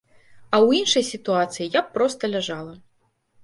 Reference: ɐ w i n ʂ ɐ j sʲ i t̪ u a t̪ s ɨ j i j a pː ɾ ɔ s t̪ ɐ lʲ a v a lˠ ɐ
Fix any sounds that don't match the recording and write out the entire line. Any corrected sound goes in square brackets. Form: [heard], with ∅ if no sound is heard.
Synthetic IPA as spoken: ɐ w i n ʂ ɐ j sʲ i t̪ u a t̪ s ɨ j i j a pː ɾ ɔ s t̪ ɐ lʲ a [ʐ] a lˠ ɐ